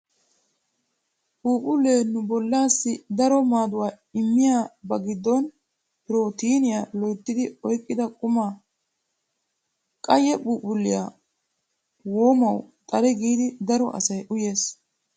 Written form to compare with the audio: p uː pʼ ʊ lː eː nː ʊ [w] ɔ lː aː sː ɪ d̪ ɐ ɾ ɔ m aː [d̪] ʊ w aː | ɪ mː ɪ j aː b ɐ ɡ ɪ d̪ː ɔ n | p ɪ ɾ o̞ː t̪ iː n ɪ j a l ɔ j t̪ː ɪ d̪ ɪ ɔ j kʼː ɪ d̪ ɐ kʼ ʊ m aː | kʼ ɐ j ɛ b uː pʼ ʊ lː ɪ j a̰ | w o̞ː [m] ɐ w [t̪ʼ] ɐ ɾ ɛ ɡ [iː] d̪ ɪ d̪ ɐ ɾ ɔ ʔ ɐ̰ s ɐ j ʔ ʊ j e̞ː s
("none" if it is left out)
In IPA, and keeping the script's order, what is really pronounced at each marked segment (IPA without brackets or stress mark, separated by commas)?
b, d̪, m, t̪ʼ, iː